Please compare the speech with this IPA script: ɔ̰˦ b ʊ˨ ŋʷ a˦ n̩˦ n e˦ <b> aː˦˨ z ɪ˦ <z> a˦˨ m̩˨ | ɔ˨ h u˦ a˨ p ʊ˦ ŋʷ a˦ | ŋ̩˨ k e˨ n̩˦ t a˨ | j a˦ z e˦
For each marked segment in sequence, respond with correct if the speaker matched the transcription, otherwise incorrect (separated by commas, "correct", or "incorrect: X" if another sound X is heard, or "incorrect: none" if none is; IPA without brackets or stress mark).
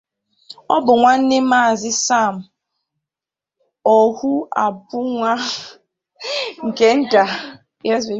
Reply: incorrect: m, incorrect: s